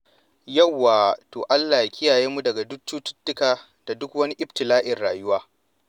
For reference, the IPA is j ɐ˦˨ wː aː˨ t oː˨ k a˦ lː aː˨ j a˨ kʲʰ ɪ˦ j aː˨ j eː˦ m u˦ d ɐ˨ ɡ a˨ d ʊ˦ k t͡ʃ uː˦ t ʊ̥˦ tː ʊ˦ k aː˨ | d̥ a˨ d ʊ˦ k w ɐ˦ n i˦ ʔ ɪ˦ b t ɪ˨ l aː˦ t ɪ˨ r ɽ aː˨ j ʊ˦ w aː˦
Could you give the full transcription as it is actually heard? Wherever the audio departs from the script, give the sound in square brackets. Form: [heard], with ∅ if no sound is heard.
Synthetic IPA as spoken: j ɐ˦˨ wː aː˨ t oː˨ [ʔ] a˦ lː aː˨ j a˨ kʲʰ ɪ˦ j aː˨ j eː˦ m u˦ d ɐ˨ ɡ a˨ d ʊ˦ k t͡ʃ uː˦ t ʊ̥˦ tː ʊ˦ k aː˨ | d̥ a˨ d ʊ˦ k w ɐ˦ n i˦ ʔ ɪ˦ b t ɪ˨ l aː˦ [ʔ] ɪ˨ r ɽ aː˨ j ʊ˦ w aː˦